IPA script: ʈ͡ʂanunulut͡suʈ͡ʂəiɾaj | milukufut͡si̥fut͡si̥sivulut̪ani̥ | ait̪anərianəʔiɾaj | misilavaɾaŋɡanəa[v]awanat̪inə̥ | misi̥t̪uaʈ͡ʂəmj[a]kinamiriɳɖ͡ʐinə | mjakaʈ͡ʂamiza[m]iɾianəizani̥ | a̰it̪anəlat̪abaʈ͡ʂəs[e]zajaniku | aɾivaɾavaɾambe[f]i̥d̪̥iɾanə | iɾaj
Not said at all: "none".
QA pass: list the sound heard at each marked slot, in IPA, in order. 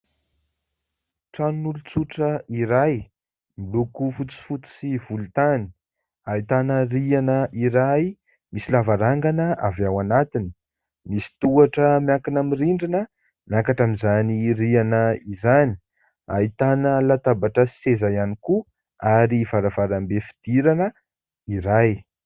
v, a, n, e, f

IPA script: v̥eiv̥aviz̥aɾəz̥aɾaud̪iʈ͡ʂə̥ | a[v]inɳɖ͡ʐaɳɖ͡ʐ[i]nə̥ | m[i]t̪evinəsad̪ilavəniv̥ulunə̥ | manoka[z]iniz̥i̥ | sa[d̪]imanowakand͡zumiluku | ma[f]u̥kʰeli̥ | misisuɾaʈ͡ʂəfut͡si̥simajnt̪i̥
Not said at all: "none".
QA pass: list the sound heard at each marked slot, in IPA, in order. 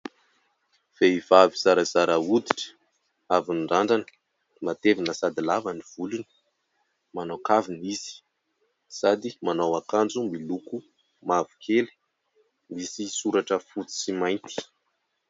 v, a, a, v, d̪, v

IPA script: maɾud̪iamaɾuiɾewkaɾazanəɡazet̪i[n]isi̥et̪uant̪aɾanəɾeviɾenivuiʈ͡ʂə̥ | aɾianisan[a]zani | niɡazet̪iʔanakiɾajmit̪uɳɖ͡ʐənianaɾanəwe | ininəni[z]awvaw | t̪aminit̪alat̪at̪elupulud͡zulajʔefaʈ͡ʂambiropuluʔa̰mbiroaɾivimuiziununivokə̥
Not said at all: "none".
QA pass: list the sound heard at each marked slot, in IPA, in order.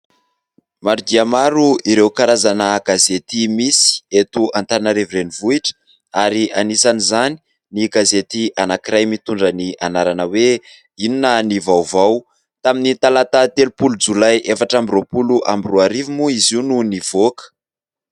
m, i, v

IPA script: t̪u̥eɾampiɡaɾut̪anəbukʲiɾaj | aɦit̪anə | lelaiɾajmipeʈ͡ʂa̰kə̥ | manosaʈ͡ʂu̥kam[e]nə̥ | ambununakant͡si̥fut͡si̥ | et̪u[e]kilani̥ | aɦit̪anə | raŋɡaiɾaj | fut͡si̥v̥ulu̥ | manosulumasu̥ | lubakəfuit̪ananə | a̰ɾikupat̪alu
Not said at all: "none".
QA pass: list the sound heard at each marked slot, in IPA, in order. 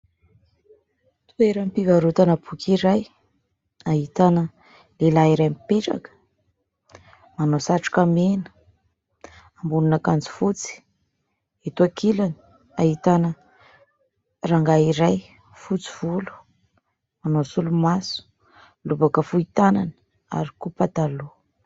e, a

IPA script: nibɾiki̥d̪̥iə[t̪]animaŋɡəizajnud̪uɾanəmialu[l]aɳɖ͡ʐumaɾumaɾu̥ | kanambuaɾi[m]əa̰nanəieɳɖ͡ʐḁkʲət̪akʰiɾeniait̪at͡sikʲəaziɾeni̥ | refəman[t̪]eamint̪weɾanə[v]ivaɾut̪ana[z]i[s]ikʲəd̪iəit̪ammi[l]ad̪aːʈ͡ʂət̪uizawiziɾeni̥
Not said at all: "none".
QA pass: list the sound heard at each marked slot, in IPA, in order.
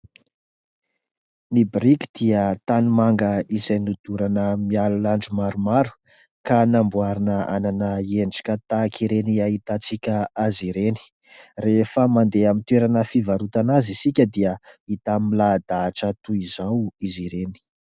t̪, l, n, d̪, f, z, s, l

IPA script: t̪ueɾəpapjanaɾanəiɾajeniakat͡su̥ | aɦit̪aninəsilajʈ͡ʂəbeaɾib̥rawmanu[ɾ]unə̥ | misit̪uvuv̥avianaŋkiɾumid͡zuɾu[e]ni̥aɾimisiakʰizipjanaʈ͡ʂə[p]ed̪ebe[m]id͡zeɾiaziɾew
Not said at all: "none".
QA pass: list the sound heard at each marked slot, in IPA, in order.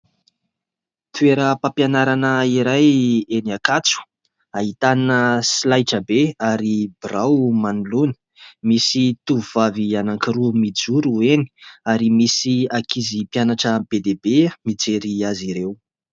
l, e, b, m

